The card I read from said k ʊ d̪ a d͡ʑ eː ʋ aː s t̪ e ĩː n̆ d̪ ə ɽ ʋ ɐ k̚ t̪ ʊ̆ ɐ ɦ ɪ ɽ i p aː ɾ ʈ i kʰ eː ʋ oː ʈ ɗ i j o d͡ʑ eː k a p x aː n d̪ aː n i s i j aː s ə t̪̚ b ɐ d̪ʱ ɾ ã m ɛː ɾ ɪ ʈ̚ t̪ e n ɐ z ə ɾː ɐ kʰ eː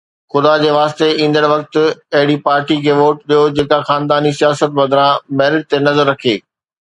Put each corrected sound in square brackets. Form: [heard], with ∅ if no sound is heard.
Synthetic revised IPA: [x] ʊ d̪ a d͡ʑ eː ʋ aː s t̪ e ĩː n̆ d̪ ə ɽ ʋ ɐ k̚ t̪ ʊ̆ ɐ ɦ ɪ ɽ i p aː ɾ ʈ i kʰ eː ʋ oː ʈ ɗ i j o d͡ʑ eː k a [∅] x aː n d̪ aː n i s i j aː s ə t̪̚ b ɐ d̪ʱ ɾ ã m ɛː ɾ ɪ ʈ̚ t̪ e n ɐ z ə ɾː ɐ kʰ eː